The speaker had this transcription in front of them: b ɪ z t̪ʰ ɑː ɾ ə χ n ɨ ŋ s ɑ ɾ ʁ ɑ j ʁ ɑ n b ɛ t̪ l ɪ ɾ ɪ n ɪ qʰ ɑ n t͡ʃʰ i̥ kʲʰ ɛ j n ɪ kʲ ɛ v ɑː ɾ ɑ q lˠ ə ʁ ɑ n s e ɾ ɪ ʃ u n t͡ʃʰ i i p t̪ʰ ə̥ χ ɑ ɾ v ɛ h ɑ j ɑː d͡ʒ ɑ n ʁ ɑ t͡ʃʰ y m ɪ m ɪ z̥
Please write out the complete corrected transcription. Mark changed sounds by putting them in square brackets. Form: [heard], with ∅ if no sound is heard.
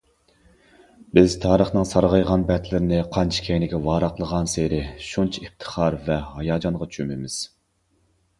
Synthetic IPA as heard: b ɪ z t̪ʰ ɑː ɾ ə χ n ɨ ŋ s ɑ ɾ ʁ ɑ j ʁ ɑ n b ɛ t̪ l ɪ ɾ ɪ n ɪ qʰ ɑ n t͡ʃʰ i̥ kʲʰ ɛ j n ɪ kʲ ɛ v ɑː ɾ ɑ q lˠ ə ʁ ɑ n s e ɾ ɪ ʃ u n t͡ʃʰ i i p t̪ʰ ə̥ χ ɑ ɾ v ɛ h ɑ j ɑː d͡ʒ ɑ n ʁ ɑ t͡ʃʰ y m ɪ m ɪ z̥